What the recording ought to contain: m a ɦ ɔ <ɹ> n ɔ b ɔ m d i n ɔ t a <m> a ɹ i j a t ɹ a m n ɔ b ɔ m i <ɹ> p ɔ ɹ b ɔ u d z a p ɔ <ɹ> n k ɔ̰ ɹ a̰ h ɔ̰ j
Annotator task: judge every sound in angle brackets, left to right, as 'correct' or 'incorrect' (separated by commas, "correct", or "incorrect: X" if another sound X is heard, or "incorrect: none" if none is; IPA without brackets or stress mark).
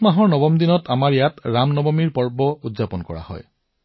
correct, correct, correct, incorrect: none